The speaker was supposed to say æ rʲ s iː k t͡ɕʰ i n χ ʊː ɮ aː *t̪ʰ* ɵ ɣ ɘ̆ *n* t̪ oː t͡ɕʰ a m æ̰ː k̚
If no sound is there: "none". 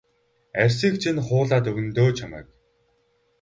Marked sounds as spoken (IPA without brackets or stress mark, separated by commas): t̪, n